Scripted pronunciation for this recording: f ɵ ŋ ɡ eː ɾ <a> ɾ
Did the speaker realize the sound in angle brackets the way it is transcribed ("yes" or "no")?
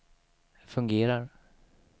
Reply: yes